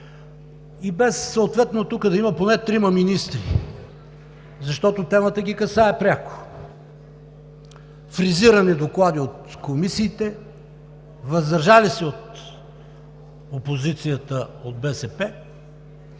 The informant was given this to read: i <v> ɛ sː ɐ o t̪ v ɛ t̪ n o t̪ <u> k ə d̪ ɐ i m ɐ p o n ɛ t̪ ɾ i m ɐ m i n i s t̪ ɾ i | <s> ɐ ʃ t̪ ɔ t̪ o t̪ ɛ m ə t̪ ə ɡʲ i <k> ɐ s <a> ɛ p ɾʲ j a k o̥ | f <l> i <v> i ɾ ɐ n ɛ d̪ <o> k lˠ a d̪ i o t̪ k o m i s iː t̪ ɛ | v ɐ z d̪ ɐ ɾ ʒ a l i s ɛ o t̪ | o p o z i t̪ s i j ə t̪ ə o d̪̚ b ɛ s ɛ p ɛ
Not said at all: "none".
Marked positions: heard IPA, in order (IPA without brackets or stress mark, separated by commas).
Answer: b, u, z, k, a, ɾ, z, o